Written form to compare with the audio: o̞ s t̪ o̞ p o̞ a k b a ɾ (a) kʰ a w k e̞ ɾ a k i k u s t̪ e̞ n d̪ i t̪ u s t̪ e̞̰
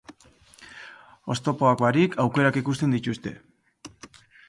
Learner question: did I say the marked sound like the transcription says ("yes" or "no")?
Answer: no